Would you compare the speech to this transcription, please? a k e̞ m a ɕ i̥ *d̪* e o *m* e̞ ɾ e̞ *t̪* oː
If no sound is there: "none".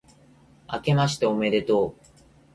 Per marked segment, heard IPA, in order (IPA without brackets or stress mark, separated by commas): t̪, m, t̪